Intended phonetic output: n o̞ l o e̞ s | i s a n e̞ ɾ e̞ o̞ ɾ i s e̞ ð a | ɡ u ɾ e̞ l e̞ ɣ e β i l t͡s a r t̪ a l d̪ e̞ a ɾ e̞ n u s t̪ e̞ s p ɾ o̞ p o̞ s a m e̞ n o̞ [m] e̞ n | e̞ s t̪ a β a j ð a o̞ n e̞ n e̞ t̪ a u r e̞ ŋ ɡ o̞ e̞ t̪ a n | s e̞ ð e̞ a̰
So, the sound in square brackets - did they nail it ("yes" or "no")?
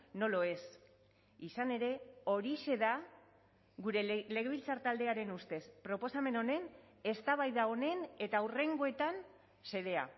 no